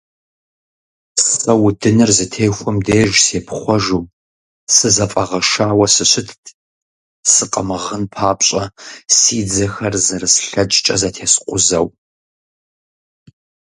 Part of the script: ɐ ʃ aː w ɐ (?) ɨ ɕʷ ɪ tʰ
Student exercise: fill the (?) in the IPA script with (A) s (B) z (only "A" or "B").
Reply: A